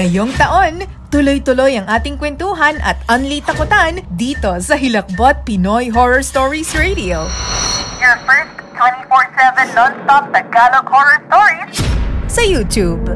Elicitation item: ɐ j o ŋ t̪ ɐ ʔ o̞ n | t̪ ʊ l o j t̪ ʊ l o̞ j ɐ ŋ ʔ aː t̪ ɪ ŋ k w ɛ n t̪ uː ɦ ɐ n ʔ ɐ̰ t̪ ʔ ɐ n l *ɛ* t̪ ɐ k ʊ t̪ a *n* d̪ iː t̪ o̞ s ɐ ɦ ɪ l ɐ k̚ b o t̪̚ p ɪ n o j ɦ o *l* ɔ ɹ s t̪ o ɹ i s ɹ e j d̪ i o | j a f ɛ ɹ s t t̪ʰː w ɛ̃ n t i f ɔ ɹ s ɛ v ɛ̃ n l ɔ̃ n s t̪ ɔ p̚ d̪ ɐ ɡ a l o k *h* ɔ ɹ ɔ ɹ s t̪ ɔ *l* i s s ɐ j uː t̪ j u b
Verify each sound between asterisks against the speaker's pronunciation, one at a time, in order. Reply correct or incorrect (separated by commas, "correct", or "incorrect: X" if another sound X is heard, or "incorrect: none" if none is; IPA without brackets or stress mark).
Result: incorrect: i, correct, incorrect: ɹ, correct, incorrect: ɹ